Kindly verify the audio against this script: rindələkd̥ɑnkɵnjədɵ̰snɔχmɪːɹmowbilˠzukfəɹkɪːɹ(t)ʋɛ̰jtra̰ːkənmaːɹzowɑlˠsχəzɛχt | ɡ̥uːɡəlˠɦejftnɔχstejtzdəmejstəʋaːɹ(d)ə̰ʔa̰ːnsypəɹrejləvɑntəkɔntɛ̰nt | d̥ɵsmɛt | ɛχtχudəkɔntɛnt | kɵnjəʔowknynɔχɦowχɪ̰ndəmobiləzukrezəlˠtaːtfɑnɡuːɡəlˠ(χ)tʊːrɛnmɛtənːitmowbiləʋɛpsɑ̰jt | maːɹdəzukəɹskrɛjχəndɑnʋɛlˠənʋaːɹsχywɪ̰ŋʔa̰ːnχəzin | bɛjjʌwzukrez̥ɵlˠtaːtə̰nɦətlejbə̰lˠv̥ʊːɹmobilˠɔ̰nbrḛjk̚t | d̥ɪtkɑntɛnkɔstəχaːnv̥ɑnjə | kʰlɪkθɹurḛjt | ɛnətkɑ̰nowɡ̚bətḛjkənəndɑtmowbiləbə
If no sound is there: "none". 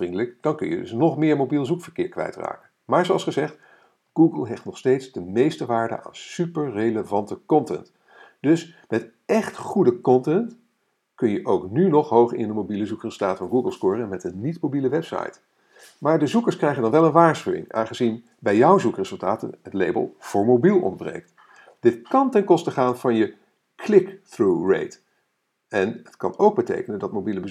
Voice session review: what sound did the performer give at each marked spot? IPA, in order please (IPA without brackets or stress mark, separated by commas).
k, d, s